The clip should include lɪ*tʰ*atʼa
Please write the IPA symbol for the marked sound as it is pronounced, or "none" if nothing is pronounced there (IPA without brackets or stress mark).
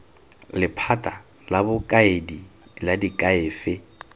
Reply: pʰ